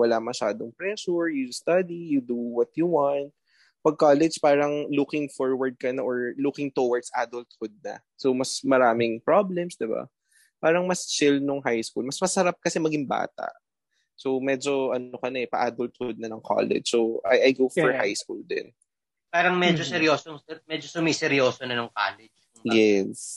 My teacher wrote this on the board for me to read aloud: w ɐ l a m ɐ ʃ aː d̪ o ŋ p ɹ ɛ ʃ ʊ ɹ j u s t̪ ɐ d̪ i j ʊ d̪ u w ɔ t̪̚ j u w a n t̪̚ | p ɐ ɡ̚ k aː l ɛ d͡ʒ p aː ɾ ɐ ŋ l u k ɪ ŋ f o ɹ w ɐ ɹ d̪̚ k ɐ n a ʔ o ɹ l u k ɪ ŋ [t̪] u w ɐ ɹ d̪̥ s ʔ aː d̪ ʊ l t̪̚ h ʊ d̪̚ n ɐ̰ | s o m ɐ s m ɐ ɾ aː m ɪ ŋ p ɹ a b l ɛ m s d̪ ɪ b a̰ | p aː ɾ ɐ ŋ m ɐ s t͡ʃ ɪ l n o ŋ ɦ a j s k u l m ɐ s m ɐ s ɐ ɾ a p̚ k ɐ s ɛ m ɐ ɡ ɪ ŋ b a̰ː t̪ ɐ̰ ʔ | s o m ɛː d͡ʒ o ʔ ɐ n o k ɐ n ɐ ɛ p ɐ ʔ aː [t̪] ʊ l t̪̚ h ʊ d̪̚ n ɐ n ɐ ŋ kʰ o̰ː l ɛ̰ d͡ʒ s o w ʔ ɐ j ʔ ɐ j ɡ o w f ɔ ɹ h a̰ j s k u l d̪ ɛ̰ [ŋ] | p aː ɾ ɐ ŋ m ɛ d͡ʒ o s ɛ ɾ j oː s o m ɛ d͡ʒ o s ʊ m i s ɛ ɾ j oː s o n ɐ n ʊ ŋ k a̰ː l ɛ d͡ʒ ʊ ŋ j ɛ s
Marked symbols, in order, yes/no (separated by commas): yes, no, no